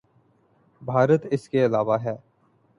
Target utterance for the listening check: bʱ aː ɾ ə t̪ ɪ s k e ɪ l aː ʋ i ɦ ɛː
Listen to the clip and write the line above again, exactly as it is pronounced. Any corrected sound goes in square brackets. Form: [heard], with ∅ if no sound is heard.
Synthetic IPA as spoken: bʱ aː ɾ ə t̪ ɪ s k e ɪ l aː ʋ [a] ɦ ɛː